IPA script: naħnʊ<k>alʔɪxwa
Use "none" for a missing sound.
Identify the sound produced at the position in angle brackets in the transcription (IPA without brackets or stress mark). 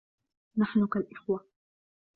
k